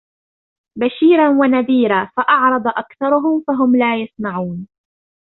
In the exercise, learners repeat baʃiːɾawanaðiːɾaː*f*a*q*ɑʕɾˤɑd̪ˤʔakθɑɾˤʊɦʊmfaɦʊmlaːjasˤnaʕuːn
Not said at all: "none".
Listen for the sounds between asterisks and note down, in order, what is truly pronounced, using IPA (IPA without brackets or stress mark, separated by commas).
f, ʔ